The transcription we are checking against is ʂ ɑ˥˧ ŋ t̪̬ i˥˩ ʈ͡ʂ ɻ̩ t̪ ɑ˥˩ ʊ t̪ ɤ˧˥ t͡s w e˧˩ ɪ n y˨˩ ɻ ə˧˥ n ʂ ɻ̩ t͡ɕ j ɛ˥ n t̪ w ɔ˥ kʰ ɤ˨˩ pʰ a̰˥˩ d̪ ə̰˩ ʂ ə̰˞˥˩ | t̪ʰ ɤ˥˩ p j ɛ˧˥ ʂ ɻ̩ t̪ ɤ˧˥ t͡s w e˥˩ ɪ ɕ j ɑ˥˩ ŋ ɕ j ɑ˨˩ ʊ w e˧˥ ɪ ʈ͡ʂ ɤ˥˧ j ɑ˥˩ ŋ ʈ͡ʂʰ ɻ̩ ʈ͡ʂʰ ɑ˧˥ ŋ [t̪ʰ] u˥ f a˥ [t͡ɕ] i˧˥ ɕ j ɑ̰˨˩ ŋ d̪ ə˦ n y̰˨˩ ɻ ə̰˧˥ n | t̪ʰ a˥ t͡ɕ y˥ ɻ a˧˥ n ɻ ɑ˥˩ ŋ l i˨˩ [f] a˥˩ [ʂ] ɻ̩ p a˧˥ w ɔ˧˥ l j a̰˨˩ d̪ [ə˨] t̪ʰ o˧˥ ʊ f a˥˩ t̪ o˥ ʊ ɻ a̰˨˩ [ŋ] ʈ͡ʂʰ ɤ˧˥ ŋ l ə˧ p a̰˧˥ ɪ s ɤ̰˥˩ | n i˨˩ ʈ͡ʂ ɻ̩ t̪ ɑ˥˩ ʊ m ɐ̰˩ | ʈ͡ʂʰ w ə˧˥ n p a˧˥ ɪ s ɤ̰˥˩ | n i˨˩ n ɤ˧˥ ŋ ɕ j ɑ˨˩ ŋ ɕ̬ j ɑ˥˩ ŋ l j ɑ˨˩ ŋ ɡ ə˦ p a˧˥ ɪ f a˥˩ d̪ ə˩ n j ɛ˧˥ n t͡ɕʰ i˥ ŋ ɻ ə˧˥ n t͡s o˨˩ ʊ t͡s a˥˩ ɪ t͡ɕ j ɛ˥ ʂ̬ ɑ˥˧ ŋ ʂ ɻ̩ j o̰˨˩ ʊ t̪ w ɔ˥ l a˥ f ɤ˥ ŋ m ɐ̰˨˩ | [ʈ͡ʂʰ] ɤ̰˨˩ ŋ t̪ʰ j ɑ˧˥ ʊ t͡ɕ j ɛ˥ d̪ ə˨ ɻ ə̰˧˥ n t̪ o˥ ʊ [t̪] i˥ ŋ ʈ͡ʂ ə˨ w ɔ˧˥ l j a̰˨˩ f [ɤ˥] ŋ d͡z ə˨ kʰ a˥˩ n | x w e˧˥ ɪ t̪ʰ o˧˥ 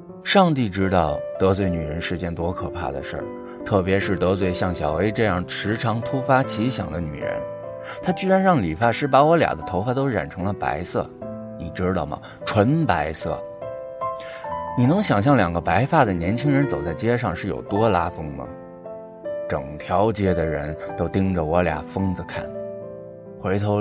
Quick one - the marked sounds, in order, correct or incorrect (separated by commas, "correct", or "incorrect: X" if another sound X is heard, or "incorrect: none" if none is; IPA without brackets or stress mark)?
correct, incorrect: t͡ɕʰ, correct, correct, incorrect: ə˦, incorrect: n, incorrect: ʈ͡ʂ, correct, correct